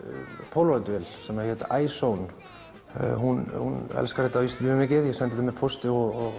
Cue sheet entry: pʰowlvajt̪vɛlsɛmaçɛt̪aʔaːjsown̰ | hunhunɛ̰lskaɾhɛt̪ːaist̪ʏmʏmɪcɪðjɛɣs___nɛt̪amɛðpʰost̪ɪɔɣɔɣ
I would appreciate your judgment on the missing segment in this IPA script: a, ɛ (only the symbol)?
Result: ɛ